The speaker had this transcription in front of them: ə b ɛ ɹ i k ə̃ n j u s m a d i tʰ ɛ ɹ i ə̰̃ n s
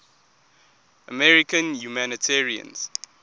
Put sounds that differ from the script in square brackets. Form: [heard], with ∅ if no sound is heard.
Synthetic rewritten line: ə [m] ɛ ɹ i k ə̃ n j u [∅] m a [n] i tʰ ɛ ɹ i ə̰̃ n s